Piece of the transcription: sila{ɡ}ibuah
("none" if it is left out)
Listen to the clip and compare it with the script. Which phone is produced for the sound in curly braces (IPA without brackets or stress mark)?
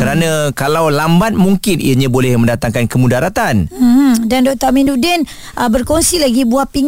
ɡ